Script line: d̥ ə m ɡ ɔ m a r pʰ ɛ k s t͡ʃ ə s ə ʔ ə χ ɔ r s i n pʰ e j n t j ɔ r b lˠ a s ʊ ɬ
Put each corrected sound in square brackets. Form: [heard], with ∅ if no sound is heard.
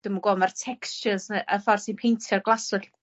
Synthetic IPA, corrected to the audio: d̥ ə m ɡ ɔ m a r [tʰ] ɛ k s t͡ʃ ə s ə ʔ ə [f] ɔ r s i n pʰ e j n [tʰ] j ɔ r [ɡ] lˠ a s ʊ ɬ